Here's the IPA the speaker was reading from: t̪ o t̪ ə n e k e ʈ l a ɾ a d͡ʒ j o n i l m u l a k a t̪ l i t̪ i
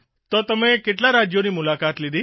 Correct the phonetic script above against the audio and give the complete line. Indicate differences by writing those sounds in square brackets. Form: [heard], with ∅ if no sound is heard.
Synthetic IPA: t̪ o t̪ ə [m] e k e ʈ l a ɾ a d͡ʒ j o n i [∅] m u l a k a t̪ l i [d̪] i